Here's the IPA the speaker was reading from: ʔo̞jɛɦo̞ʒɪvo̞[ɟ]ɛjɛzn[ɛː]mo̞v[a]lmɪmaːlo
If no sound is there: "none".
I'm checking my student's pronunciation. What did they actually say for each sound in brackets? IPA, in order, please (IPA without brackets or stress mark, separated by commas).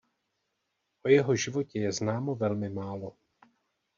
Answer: c, aː, ɛ